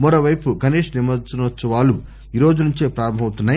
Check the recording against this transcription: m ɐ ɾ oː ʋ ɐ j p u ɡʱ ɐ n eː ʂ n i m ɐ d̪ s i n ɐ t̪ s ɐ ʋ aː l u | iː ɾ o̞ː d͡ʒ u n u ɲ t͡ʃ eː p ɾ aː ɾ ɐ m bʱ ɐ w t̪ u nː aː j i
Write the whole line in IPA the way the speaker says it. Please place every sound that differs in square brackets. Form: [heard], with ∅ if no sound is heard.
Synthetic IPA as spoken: m ɐ ɾ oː ʋ ɐ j p u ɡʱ ɐ n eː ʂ n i m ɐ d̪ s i n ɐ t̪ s ɐ ʋ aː l u | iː ɾ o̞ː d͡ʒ u n u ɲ t͡ʃ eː p ɾ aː ɾ ɐ m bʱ ɐ w t̪ u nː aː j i